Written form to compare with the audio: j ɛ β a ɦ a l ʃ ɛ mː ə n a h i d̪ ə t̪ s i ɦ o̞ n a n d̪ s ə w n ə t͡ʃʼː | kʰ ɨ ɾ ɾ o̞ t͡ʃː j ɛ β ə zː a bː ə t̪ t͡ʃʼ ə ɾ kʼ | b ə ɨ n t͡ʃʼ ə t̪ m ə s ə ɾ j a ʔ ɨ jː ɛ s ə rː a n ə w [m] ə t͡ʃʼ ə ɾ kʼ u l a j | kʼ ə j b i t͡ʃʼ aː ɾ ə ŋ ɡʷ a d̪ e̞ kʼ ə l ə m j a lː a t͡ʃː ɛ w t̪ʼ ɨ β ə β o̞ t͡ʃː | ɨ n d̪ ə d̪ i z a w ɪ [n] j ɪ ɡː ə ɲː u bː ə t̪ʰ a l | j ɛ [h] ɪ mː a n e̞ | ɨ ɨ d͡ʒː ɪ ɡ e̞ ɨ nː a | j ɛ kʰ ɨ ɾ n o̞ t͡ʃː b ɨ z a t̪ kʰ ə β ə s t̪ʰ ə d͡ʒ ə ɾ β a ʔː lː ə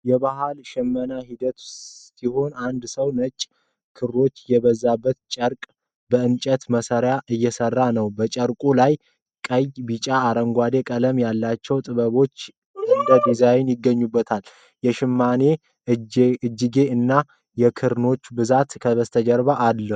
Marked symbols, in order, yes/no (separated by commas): no, yes, no